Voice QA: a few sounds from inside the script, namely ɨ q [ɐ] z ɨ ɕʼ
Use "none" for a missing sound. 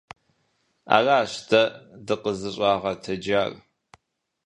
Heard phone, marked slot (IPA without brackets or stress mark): ə